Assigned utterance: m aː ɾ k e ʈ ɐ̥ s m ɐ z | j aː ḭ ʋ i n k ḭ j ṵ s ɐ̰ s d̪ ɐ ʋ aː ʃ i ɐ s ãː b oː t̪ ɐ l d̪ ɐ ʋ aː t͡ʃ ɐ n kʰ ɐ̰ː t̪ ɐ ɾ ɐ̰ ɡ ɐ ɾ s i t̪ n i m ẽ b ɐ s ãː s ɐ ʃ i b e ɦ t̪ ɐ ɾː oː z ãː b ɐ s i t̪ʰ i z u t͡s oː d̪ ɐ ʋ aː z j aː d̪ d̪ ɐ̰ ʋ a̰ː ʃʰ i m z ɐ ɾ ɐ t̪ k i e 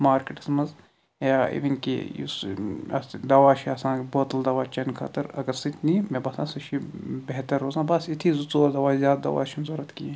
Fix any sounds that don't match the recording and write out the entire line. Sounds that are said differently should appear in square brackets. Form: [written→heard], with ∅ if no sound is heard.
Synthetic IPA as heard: m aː ɾ k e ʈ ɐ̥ s m ɐ z | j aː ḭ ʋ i n k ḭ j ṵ s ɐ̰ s d̪ ɐ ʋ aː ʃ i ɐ s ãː b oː t̪ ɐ l d̪ ɐ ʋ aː t͡ʃ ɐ n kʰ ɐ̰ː t̪ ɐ ɾ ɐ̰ ɡ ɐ ɾ s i t̪ n i m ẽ b ɐ s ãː s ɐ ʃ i b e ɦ t̪ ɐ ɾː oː z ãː b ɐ s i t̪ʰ i z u t͡s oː d̪ ɐ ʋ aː z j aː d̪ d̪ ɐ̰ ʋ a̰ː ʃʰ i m z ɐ ɾ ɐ t̪ k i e

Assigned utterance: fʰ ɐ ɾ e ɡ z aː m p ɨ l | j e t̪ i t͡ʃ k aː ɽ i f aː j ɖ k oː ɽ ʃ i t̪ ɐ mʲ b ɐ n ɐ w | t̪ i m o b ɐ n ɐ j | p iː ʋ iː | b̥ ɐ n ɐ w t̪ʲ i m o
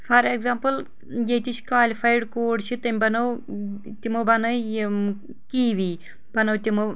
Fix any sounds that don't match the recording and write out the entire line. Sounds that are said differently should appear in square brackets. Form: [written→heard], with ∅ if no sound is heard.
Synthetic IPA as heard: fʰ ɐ ɾ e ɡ z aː m p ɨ l | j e t̪ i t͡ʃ k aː [ɽ→l] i f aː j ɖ k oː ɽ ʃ i t̪ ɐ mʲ b ɐ n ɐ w | t̪ i m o b ɐ n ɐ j | [p→k] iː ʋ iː | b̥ ɐ n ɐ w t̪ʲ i m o

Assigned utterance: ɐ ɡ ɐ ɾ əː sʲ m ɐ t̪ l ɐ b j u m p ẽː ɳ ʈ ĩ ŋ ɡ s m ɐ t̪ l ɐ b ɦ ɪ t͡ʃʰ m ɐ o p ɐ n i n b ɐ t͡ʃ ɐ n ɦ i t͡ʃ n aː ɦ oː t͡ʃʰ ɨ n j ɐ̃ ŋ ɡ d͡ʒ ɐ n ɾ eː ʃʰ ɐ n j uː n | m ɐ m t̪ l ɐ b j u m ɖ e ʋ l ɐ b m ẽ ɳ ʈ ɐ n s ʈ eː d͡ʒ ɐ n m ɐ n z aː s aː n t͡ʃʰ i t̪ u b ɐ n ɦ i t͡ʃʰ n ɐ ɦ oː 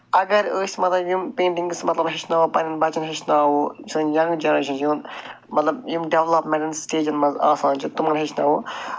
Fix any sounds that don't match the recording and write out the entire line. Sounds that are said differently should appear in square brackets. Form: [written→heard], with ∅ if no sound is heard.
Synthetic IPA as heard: ɐ ɡ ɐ ɾ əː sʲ m ɐ t̪ l ɐ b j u m p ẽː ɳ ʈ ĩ ŋ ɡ s m ɐ t̪ l ɐ b ɦ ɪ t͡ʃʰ [m→n] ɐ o p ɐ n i n b ɐ t͡ʃ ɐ n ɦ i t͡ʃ n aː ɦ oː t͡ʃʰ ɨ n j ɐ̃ ŋ ɡ d͡ʒ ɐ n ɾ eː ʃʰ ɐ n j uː n | m ɐ [m→∅] t̪ l ɐ b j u m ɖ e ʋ l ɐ [b→p] m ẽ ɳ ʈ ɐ n s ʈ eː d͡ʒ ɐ n m ɐ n z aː s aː n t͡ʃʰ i t̪ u [b→m] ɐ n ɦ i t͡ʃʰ n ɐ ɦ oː

